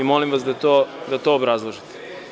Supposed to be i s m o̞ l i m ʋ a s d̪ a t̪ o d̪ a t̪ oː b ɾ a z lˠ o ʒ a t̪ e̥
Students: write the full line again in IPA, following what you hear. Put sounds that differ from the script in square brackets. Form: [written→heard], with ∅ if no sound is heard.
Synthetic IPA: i [s→∅] m o̞ l i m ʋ a s d̪ a t̪ o d̪ a t̪ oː b ɾ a z lˠ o ʒ [a→i] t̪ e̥